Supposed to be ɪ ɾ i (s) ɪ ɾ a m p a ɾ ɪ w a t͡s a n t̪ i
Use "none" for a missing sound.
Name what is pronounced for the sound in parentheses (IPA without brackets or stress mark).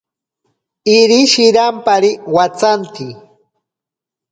ʃ